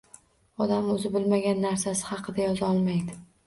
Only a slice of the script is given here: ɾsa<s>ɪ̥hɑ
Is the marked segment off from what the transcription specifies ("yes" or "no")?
no